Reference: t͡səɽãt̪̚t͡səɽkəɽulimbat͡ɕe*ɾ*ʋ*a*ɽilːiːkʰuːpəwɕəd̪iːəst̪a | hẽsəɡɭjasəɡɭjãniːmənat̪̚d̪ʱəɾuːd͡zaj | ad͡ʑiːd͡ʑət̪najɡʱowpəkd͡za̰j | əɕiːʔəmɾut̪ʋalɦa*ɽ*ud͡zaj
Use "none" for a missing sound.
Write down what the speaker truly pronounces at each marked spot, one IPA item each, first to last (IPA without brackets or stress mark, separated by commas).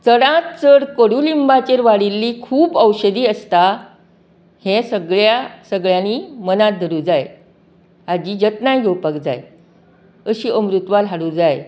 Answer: ɾ, a, ɽ